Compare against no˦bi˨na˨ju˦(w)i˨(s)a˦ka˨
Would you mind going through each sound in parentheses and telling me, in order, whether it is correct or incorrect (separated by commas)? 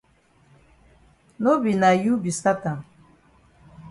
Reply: incorrect, correct